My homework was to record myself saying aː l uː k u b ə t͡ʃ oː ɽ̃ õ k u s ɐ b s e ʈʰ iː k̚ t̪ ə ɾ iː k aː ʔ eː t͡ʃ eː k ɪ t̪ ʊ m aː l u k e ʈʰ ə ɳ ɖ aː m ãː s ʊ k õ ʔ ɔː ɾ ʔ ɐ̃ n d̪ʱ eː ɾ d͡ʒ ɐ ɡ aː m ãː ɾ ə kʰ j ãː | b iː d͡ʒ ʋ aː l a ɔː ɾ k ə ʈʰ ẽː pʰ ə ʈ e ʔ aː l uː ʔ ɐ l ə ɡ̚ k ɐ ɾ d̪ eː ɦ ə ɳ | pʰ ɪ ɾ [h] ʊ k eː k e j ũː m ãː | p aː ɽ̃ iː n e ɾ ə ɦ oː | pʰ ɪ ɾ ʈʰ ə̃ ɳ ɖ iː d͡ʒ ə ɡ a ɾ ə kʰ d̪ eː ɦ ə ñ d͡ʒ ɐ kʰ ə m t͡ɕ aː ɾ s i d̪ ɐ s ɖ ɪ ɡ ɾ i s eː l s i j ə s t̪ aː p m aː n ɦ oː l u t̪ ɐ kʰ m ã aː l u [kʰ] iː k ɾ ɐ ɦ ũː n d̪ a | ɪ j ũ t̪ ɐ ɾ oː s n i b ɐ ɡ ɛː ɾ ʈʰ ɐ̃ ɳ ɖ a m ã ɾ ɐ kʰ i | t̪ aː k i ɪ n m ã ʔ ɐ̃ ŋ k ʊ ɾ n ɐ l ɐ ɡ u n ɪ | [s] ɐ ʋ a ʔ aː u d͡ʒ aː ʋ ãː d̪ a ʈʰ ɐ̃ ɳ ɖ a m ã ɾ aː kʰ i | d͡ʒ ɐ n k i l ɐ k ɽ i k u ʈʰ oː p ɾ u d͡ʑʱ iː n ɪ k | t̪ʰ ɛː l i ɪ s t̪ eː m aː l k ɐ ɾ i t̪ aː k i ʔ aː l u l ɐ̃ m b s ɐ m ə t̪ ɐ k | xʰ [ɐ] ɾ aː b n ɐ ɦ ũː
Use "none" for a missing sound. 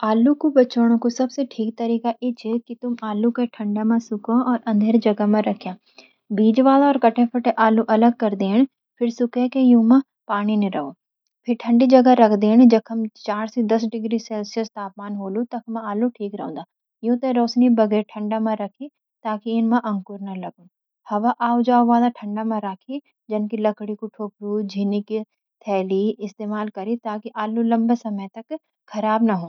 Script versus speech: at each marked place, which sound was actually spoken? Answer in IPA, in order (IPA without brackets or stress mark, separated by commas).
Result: s, ʈʰ, h, ɐ